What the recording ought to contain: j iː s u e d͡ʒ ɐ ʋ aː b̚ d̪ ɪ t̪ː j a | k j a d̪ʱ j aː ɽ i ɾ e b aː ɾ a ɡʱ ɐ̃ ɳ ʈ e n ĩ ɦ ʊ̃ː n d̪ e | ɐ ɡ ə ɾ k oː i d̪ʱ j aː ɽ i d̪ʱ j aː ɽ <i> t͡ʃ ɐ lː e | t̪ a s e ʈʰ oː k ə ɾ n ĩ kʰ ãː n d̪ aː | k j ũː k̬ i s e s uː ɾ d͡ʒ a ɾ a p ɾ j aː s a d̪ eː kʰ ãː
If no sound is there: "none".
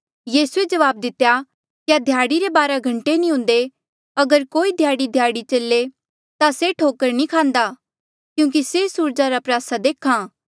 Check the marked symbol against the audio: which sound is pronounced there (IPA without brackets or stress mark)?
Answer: i